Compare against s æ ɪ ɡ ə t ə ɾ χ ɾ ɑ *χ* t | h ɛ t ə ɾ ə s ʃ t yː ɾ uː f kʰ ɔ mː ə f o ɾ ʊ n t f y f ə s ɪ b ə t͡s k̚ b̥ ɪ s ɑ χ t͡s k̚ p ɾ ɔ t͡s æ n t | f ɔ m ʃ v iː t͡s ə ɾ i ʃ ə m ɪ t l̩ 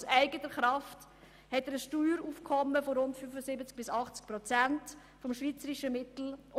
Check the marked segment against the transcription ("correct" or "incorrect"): incorrect